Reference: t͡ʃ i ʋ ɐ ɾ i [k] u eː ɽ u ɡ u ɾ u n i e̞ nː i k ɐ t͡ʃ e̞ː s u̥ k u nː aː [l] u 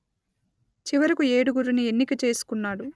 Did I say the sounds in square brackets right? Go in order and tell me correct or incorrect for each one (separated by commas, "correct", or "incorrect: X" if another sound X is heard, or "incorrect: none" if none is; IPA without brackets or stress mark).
correct, incorrect: ɽ